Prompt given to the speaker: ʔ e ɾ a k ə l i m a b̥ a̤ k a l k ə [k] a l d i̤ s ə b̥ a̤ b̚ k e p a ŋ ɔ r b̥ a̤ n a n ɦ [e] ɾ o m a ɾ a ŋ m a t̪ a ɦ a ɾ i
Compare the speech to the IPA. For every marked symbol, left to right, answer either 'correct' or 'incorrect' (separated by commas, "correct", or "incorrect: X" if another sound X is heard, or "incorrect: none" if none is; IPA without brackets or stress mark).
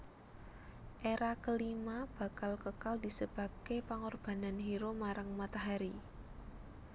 correct, incorrect: i